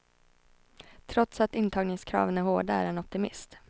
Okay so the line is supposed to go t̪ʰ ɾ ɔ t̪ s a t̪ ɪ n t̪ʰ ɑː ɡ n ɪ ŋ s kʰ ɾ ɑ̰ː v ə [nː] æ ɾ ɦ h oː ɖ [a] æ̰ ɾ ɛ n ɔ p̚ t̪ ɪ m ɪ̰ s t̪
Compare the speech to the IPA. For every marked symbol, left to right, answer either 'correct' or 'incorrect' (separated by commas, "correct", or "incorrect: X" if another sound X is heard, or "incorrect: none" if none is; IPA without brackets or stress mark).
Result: incorrect: n, correct